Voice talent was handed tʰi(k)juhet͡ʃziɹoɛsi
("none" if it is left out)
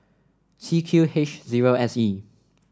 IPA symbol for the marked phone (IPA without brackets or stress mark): kʰ